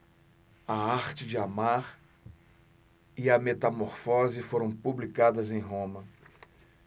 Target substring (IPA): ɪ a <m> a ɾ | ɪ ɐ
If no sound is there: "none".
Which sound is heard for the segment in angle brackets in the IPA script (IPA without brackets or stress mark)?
m